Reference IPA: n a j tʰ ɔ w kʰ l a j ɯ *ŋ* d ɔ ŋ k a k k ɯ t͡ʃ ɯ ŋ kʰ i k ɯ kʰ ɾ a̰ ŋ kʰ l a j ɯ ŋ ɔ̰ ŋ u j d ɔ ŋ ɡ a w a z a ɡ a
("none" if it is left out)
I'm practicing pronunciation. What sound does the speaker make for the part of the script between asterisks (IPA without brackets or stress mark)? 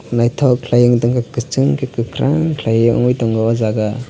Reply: ŋ